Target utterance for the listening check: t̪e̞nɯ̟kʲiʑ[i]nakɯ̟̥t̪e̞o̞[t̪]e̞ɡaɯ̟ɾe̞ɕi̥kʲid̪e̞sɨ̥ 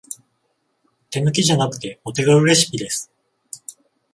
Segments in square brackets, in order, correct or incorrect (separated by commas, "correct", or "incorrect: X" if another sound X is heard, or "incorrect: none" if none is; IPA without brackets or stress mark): incorrect: a, correct